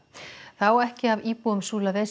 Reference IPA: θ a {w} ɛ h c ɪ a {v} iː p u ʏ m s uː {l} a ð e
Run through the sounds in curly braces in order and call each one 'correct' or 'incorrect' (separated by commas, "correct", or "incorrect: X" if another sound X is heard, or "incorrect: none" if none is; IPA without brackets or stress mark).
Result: correct, correct, correct